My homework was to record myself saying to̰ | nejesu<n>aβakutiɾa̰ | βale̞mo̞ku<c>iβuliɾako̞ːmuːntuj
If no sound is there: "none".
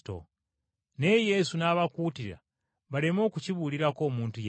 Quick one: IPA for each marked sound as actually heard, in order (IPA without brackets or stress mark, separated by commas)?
n, c